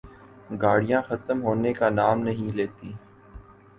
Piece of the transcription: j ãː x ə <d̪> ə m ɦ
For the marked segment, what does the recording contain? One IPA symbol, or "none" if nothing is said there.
t̪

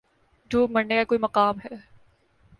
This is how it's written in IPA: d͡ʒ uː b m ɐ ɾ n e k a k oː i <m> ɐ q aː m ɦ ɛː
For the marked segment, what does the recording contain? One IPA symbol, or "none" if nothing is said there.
m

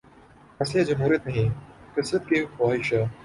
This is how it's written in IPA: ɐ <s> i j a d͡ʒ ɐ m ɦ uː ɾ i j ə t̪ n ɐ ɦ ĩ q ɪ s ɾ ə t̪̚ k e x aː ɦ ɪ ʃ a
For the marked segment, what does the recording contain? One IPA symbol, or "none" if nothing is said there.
s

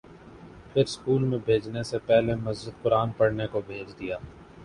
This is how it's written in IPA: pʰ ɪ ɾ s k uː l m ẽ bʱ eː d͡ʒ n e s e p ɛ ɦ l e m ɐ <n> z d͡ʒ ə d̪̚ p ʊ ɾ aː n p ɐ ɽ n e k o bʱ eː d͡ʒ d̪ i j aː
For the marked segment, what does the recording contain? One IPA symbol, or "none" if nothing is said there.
none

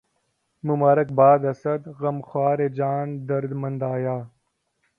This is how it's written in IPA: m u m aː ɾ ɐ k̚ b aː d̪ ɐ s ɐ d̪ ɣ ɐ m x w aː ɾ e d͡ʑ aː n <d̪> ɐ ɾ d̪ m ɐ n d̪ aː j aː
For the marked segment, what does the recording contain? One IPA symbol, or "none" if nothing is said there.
d̪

